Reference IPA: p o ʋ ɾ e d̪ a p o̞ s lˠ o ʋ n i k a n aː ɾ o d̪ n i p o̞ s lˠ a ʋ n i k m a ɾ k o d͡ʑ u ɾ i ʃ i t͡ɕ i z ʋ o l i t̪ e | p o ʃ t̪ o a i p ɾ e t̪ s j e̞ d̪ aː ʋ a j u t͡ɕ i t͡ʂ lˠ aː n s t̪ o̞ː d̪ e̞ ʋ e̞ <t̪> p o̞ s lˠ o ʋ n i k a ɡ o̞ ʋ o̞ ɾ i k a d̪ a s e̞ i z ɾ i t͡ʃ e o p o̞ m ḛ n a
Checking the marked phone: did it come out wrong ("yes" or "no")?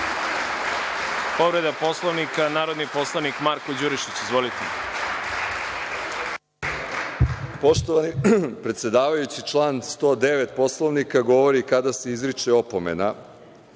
no